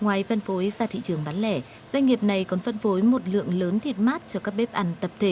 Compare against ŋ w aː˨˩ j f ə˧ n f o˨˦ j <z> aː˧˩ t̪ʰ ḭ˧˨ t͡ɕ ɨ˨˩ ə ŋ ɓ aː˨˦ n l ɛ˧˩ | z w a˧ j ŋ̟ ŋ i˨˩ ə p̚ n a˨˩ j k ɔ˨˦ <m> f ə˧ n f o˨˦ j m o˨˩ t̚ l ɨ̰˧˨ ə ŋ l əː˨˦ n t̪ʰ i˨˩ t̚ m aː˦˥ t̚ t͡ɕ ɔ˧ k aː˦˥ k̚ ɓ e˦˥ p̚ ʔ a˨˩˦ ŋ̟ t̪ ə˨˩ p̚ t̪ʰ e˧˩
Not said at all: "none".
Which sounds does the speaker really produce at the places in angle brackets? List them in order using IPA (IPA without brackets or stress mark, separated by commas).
z, n